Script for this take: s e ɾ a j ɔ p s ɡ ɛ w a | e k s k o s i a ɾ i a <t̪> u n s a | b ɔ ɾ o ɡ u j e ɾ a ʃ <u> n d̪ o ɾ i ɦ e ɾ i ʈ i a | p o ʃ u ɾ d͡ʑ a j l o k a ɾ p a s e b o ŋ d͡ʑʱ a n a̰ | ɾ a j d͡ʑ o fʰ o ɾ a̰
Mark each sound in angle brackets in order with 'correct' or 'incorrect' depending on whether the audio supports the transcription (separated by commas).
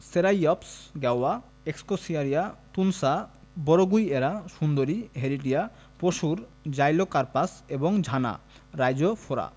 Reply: correct, correct